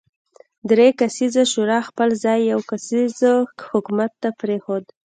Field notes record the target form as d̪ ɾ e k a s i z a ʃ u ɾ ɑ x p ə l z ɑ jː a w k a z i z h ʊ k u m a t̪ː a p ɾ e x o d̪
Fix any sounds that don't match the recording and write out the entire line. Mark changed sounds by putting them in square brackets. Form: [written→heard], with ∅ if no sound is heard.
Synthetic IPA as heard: d̪ ɾ e k a s i z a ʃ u ɾ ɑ x p ə l z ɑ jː a w k a [z→s] i z h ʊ k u m a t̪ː a p ɾ e x o d̪